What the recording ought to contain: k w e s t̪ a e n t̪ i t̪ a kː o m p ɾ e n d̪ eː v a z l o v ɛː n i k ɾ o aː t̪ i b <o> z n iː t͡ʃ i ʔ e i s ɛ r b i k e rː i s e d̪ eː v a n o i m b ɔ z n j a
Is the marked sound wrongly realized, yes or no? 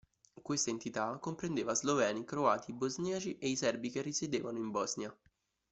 no